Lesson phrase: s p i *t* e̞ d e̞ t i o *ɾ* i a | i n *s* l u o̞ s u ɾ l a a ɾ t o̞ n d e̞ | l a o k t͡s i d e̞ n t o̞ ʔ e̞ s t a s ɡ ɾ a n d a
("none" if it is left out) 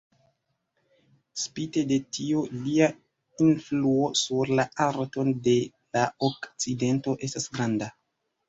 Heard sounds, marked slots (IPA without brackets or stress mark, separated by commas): t, l, f